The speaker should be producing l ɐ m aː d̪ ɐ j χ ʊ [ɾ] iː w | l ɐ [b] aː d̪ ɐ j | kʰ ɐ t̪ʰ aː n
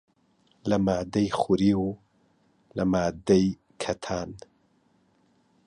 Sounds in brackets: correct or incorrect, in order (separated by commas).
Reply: correct, incorrect